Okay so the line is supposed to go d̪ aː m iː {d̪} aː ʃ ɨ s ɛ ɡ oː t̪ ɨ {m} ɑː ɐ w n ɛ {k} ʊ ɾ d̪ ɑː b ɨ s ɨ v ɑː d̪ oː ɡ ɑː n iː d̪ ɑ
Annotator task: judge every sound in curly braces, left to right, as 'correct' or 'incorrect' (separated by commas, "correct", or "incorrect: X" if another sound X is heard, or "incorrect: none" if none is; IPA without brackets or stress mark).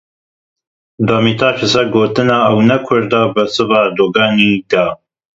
incorrect: t̪, incorrect: n, incorrect: kʰ